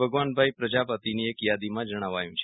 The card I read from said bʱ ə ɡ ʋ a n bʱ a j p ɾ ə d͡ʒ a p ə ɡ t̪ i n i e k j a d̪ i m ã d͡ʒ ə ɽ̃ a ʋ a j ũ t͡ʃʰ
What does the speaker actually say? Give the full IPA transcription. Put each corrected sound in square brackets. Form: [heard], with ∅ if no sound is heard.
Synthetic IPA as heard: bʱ ə ɡ ʋ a n bʱ a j p ɾ ə d͡ʒ a p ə [∅] t̪ i n i e k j a d̪ i m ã d͡ʒ ə ɽ̃ a ʋ a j ũ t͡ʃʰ

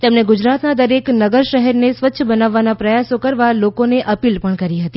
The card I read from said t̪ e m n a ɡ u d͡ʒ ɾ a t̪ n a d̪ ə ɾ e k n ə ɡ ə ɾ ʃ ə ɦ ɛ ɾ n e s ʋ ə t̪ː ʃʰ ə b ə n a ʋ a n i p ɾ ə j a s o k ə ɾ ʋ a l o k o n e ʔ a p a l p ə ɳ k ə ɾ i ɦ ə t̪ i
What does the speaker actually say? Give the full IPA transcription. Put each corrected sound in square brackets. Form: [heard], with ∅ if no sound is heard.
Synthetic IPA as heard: t̪ e m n [e] ɡ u d͡ʒ ɾ a t̪ n a d̪ ə ɾ e k n ə ɡ ə ɾ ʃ ə ɦ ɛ ɾ n e s ʋ ə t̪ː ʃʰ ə b ə n a [ʋː] a n [a] p ɾ ə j a s o k ə ɾ ʋ a l o k o n e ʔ [ə] p [i] l p ə ɳ k ə ɾ i ɦ ə t̪ i

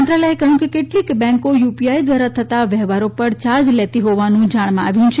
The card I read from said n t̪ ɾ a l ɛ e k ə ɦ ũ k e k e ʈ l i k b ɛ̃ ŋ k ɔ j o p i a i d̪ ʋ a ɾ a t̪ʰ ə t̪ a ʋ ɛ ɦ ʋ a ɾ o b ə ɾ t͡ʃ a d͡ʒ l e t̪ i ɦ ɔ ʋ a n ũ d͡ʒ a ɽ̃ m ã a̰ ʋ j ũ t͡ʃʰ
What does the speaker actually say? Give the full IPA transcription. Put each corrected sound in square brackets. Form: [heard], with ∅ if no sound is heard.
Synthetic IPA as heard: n t̪ ɾ a l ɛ e k ə ɦ ũ k e k e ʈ l i k b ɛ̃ ŋ k [o] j [u] p i a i d̪ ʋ a ɾ a t̪ʰ ə t̪ a ʋ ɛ ɦ ʋ a ɾ o [p] ə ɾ t͡ʃ a d͡ʒ l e t̪ i ɦ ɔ ʋ a n ũ d͡ʒ a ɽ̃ m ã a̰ ʋ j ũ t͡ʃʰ

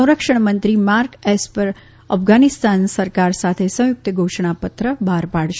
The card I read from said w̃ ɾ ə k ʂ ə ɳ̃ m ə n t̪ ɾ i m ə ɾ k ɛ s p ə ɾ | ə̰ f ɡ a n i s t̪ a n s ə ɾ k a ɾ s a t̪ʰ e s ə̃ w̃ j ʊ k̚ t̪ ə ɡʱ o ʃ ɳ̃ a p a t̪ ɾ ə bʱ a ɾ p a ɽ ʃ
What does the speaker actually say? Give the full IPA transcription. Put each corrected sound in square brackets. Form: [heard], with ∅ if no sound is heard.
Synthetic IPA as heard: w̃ ɾ ə k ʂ ə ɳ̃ m ə n t̪ ɾ i m [a] ɾ k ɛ s p ə ɾ | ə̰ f ɡ a n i s t̪ a n s ə ɾ k a ɾ s a t̪ʰ e s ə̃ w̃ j ʊ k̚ t̪ ə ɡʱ o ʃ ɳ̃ a p [ə] t̪ ɾ ə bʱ a ɾ p a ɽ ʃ

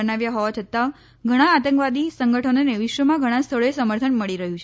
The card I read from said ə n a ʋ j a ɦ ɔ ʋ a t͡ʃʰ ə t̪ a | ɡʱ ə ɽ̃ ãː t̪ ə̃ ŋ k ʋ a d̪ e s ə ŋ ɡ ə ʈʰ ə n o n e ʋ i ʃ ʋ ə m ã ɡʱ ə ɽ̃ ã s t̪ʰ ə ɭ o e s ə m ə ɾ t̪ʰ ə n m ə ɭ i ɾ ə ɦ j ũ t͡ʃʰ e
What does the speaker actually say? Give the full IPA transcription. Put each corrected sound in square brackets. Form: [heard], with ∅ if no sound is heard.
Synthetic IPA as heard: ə n a ʋ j a ɦ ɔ ʋ a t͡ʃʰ ə t̪ a | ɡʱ ə ɽ̃ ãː t̪ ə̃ ŋ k ʋ a d̪ [i] s ə ŋ ɡ ə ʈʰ ə n o n e ʋ i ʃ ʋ ə m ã ɡʱ ə ɽ̃ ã s t̪ʰ ə ɭ o e s ə m ə ɾ t̪ʰ ə n m ə ɭ i ɾ ə ɦ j ũ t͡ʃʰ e

